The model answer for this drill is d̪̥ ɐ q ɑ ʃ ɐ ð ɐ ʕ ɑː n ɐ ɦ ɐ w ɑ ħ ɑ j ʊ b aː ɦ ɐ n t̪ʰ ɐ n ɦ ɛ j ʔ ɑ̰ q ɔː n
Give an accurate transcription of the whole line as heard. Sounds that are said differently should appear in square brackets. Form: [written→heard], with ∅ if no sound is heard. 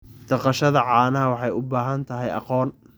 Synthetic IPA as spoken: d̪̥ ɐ q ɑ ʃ ɐ ð ɐ ʕ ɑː n ɐ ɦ ɐ w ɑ ħ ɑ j ʊ b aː ɦ ɐ n t̪ʰ ɐ [n→∅] ɦ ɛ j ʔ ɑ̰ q ɔː n